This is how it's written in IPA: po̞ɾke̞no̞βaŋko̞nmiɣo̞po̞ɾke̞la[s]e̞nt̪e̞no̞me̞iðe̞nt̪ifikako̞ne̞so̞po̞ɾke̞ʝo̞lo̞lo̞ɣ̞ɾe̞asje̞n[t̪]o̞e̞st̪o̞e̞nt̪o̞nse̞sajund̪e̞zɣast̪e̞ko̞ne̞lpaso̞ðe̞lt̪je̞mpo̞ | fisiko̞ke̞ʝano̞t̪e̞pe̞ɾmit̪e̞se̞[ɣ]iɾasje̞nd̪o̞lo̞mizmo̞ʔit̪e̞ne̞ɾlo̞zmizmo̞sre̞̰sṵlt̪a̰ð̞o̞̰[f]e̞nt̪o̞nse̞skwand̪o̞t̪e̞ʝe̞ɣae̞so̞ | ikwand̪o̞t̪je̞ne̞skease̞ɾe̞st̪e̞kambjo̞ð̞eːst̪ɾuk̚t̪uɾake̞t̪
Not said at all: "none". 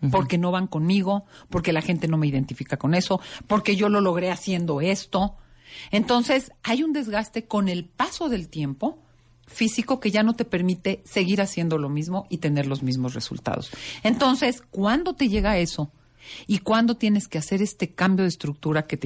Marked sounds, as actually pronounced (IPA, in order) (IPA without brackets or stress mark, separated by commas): x, d̪, ɣ, s